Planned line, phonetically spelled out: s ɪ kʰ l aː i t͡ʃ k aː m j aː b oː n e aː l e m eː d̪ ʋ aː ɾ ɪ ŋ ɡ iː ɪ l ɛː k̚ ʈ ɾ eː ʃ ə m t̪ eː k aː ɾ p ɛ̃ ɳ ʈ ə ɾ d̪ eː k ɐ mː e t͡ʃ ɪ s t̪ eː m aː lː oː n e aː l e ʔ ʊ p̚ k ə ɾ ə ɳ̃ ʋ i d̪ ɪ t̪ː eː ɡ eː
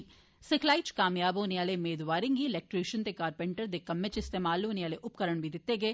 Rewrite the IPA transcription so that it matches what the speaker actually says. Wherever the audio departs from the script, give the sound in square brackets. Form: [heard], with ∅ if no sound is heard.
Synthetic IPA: s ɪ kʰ l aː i t͡ʃ k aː m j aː b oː n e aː l e m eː d̪ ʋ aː ɾ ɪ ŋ ɡ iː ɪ l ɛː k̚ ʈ ɾ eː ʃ ə [n] t̪ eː k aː ɾ p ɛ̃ ɳ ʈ ə ɾ d̪ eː k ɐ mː e t͡ʃ ɪ s t̪ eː m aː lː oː n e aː l e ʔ ʊ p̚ k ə ɾ ə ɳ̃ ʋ i d̪ ɪ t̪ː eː ɡ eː